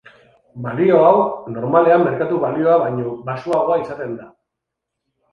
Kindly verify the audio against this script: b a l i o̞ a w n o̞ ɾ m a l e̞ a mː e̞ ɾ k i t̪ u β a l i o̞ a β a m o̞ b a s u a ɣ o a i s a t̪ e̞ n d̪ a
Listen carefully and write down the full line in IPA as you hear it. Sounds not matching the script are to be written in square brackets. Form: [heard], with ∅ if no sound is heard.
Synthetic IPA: b a l i o̞ a w n o̞ ɾ m a l e̞ a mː e̞ ɾ k [a] t̪ u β a l i o̞ a β a [ɲ] o̞ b a s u a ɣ o a i s a t̪ e̞ n d̪ a